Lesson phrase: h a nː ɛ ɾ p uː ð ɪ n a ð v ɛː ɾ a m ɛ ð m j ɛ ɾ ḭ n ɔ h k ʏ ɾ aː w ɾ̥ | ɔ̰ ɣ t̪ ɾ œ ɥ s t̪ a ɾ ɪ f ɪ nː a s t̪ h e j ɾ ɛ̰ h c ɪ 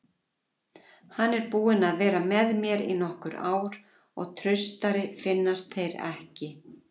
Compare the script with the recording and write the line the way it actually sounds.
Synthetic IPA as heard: h a nː ɛ ɾ p uː ɪ n a ð v ɛː ɾ a m ɛ ð m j ɛ ɾ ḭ n ɔ h k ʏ ɾ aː w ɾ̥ | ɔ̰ ɣ t̪ʰ ɾ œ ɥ s t̪ a ɾ ɪ f ɪ nː a s t̪ θ e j ɾ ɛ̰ h c ɪ